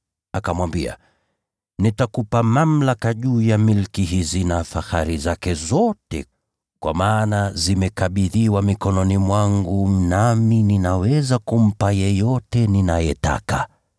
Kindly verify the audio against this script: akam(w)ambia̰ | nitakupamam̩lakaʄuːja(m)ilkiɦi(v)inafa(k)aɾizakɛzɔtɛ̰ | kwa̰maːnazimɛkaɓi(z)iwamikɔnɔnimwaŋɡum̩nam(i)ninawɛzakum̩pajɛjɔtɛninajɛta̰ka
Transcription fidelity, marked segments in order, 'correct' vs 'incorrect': correct, correct, incorrect: z, incorrect: x, incorrect: ð, correct

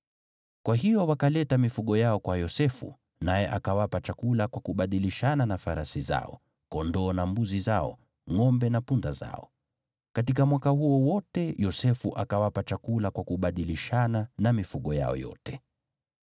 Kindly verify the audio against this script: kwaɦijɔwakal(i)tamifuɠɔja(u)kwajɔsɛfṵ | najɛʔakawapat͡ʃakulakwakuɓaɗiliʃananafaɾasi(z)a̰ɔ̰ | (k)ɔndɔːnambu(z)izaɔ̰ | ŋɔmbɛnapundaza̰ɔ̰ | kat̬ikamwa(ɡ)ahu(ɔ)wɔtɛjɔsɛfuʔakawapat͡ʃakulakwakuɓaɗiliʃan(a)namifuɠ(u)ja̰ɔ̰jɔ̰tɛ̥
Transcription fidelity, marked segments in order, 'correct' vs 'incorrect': incorrect: ɛ, incorrect: ɔ, correct, correct, correct, incorrect: k, correct, correct, incorrect: ɔ

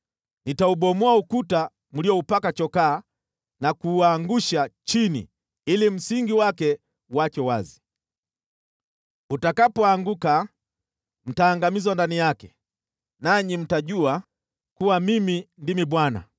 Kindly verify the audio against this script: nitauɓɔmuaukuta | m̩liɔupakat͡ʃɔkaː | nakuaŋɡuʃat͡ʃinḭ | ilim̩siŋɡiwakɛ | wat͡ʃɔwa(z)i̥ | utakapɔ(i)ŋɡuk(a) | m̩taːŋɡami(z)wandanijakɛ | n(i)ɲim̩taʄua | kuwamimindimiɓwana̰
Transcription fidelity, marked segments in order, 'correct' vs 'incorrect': correct, incorrect: a, correct, correct, incorrect: a

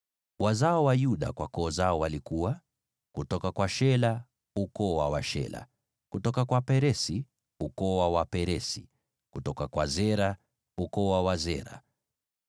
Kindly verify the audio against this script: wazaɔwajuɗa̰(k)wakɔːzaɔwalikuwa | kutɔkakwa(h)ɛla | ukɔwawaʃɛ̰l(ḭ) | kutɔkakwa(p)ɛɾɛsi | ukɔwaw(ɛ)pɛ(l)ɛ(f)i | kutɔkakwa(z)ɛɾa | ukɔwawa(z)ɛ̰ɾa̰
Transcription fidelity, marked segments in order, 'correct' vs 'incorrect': correct, incorrect: ʃ, incorrect: a̰, correct, incorrect: a, incorrect: ɾ, incorrect: s, correct, correct

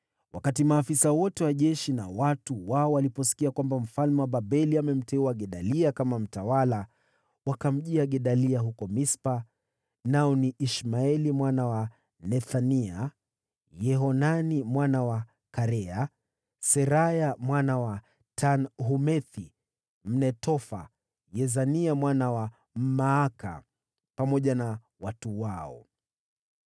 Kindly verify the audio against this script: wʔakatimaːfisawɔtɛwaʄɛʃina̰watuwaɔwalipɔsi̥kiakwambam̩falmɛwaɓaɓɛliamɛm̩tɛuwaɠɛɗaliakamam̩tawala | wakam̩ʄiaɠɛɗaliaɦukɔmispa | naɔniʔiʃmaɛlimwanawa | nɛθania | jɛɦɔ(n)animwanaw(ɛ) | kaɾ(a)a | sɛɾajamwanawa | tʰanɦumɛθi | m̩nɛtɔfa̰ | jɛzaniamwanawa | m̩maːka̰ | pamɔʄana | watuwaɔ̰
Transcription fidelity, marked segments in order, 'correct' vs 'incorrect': correct, incorrect: a, incorrect: ɛ

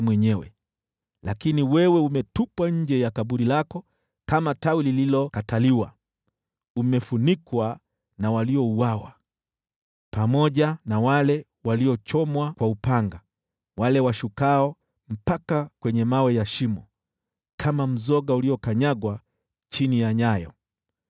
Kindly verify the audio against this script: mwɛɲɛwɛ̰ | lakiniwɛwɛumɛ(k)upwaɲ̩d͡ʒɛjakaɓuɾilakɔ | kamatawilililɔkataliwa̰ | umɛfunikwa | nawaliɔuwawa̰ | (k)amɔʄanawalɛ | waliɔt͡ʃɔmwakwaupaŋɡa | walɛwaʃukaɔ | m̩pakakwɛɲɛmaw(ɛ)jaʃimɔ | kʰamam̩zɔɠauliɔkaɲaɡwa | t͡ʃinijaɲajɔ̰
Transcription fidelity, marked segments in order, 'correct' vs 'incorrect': incorrect: t, incorrect: p, correct

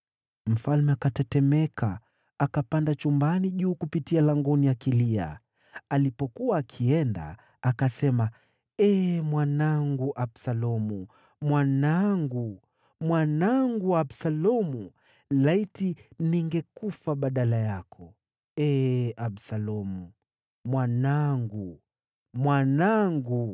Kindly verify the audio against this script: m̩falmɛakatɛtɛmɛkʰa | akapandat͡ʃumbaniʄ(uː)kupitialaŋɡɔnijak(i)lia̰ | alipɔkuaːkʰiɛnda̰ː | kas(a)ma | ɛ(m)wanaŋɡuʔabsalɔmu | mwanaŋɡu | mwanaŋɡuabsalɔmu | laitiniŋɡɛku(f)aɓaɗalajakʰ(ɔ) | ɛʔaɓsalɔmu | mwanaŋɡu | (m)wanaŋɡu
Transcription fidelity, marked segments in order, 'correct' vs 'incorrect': correct, correct, incorrect: ɛ, correct, correct, correct, correct

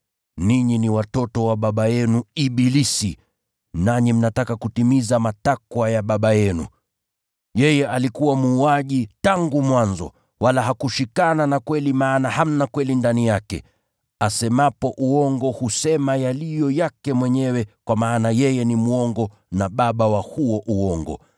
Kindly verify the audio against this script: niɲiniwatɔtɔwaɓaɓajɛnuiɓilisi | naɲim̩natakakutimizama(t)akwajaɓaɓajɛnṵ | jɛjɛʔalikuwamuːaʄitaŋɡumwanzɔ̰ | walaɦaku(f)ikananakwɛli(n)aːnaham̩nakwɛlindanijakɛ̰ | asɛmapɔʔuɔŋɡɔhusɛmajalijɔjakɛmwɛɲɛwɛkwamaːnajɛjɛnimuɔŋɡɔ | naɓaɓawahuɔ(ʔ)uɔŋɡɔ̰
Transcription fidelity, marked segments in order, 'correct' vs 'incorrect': correct, incorrect: ʃ, incorrect: m, correct

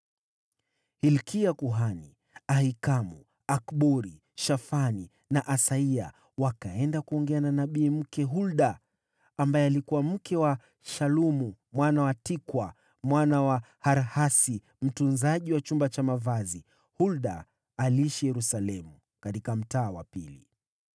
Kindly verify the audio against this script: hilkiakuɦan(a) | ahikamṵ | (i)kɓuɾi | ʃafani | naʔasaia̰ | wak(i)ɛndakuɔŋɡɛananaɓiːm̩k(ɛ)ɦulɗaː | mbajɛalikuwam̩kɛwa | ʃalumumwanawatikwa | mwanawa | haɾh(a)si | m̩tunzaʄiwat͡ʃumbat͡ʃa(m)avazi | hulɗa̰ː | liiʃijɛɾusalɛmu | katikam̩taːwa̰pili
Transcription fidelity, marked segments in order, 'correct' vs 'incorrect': incorrect: i, incorrect: a, incorrect: a, correct, correct, correct

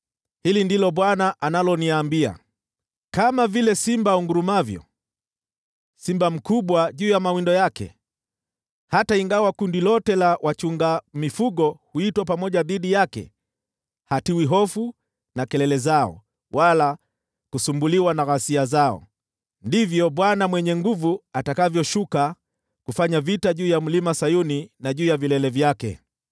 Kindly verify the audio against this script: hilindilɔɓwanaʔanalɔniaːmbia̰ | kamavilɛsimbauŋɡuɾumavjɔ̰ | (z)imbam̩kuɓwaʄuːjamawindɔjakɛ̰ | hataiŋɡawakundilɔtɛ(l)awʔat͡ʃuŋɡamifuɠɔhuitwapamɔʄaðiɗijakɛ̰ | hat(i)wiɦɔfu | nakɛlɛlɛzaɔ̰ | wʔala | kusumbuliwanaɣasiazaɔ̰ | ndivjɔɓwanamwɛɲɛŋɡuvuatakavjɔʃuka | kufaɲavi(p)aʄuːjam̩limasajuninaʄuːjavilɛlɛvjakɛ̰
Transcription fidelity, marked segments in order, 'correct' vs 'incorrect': incorrect: s, correct, correct, incorrect: t

